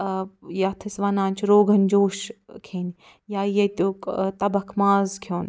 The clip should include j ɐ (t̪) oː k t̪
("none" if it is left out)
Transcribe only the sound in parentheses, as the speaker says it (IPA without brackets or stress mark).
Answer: t̪